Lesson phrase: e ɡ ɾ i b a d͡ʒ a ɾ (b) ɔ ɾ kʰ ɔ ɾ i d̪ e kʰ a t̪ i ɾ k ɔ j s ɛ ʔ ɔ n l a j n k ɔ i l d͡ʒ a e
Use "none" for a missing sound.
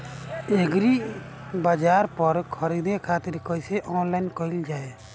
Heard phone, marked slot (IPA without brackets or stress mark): p